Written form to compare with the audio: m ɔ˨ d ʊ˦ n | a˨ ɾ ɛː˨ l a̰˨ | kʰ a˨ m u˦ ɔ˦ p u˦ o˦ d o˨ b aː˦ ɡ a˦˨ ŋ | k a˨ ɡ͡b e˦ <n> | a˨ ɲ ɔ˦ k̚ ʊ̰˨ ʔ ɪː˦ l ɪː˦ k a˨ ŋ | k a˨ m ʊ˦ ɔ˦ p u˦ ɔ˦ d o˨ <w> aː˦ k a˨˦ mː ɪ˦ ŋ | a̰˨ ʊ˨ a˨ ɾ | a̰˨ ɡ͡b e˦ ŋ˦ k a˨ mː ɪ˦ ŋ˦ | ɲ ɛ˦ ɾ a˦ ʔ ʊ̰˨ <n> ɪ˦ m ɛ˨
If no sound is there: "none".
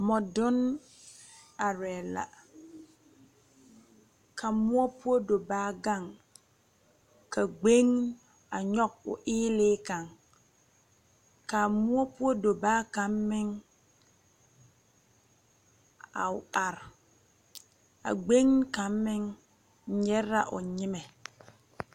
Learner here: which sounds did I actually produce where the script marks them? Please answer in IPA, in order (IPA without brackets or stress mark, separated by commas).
ŋ, b, ɲ